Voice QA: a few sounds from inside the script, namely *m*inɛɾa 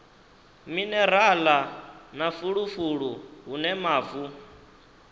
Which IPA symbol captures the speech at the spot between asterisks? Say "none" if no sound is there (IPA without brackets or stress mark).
m